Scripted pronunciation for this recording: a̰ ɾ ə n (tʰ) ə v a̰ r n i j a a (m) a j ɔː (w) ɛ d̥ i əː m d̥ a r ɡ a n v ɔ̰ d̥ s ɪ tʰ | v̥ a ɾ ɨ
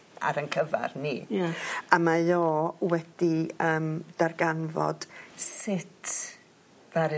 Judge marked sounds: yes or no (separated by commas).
no, yes, yes